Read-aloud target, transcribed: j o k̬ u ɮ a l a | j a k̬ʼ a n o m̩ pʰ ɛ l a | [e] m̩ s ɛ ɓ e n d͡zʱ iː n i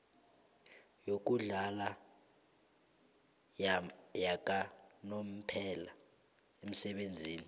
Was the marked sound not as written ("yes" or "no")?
no